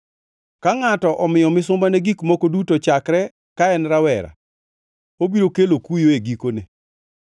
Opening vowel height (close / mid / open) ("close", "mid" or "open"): open